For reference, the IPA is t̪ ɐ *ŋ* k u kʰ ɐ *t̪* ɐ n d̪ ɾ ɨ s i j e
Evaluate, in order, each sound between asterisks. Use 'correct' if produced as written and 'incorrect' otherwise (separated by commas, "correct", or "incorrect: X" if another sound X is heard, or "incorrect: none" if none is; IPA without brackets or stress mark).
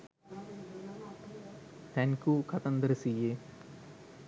incorrect: n, correct